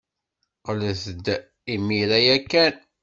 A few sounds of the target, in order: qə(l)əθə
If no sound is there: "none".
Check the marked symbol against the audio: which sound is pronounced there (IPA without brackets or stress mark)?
l